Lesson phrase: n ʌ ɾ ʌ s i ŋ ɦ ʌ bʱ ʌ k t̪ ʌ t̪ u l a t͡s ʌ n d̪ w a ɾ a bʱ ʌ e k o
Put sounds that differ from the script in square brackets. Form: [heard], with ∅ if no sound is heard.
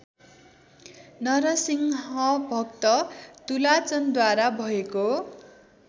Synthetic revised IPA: n ʌ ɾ ʌ s i ŋ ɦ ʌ bʱ ʌ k t̪ ʌ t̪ u l a t͡s ʌ n d̪ w a ɾ a bʱ ʌ e k o